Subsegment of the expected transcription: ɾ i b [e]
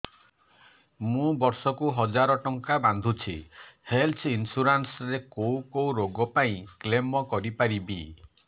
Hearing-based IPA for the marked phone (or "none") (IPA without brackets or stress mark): i